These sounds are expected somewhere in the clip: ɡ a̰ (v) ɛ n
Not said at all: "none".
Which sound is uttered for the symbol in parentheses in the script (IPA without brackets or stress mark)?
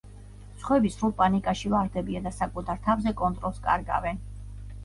v